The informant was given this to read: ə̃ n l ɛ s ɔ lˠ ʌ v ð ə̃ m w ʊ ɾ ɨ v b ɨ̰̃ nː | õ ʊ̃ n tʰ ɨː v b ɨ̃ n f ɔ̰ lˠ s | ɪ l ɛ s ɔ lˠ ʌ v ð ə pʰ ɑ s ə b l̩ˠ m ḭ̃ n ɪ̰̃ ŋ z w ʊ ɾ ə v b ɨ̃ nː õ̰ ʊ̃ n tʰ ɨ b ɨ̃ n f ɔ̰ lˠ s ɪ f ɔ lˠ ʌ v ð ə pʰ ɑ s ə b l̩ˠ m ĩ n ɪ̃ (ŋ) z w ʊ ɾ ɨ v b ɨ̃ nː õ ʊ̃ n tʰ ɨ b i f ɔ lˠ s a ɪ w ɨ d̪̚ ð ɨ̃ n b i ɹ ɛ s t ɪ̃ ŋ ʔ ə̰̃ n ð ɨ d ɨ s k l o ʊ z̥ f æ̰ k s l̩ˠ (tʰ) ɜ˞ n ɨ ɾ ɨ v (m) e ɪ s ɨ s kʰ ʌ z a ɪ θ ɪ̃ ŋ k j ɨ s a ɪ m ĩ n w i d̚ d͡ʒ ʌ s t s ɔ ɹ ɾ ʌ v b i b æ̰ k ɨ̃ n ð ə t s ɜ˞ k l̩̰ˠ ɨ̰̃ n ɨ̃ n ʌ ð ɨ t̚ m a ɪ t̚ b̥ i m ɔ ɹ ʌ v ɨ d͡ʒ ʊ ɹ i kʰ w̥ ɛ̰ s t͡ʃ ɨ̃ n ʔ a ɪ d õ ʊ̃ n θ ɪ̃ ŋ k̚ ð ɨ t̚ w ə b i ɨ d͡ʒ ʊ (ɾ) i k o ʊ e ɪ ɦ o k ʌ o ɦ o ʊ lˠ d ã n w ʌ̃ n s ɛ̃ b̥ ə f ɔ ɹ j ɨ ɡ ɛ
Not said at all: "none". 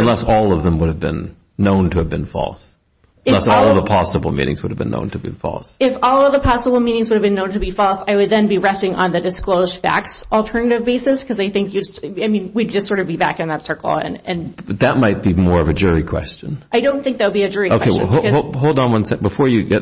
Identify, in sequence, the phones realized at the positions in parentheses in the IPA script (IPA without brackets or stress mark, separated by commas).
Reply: ŋ, tʰ, b, ɹ